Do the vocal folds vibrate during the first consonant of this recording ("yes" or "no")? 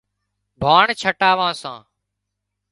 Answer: yes